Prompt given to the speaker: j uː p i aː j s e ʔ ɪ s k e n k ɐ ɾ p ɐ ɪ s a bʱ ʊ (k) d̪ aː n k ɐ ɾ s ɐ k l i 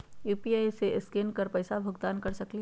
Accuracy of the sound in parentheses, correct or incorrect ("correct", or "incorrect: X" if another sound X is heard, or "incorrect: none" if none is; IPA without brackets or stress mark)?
incorrect: ɡ